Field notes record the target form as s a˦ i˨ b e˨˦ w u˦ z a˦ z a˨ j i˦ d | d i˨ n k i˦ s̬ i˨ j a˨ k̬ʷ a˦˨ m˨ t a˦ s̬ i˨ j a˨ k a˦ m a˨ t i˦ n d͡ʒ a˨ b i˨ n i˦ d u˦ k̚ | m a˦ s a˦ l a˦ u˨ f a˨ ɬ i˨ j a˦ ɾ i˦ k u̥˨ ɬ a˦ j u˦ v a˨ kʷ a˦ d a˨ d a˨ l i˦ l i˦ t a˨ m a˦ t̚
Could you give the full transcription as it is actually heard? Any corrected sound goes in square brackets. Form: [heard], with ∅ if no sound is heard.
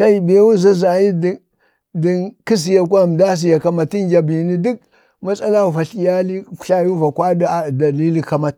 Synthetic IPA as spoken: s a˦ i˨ b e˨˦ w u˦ z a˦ z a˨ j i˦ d | d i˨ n k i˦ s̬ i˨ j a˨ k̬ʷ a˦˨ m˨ [d] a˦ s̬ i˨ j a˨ k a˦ m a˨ t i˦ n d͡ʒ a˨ b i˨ n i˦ d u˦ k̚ | m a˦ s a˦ l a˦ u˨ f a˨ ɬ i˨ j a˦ [l] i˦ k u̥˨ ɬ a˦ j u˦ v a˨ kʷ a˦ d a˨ d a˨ l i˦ l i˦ [k] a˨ m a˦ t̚